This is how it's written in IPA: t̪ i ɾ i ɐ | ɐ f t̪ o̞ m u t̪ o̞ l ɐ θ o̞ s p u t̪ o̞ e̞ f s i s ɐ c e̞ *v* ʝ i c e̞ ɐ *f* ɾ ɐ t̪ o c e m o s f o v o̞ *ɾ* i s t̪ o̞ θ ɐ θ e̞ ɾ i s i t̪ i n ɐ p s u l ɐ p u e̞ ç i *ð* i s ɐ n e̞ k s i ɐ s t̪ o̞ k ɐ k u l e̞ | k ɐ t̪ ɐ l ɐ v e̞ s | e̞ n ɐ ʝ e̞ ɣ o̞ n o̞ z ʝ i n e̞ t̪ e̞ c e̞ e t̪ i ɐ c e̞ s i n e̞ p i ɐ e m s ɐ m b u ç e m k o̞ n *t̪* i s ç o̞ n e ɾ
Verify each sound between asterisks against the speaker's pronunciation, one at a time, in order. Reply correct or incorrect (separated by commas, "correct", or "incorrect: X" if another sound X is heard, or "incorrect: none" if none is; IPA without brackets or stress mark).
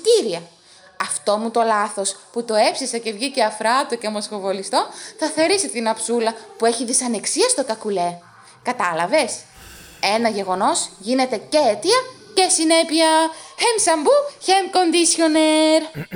correct, correct, incorrect: l, correct, incorrect: d̪